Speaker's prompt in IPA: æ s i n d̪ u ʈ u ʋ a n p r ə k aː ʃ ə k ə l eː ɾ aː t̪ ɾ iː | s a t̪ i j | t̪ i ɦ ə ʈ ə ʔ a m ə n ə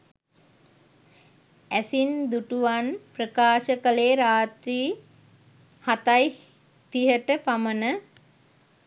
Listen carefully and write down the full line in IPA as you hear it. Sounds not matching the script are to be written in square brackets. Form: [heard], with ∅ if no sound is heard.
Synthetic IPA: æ s i n d̪ u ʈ u ʋ a n p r ə k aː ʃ ə k ə l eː ɾ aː t̪ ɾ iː | [h] a t̪ [a] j | t̪ i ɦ ə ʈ ə [p] a m ə n ə